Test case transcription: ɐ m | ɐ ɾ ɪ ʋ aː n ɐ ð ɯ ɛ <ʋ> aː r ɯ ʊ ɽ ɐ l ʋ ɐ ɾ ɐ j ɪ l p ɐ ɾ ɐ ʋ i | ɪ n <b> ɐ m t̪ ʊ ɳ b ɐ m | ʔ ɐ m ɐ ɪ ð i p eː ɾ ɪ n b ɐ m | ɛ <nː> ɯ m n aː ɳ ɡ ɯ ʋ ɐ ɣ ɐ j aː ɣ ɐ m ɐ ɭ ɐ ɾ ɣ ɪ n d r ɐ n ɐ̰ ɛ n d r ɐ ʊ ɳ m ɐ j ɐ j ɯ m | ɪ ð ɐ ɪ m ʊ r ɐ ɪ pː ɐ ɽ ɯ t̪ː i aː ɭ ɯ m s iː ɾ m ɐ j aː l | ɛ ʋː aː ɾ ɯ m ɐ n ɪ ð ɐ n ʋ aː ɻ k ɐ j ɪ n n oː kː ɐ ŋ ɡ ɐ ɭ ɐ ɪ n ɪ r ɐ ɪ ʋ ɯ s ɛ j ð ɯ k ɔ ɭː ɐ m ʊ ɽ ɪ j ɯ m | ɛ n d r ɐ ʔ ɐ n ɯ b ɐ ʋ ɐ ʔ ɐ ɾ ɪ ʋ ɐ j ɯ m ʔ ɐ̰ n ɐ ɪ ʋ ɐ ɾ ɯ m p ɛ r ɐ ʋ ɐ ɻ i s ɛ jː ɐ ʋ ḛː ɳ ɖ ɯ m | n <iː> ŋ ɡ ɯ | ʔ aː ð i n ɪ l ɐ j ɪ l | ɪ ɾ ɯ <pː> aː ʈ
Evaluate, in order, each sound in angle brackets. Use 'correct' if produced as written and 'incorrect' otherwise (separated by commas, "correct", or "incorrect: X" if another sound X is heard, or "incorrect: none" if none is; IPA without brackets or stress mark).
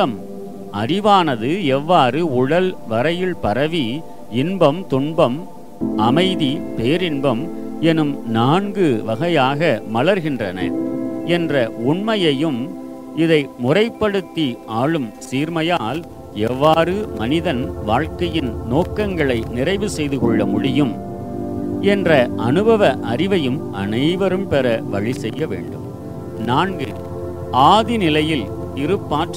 incorrect: ʋː, correct, incorrect: n, incorrect: aː, correct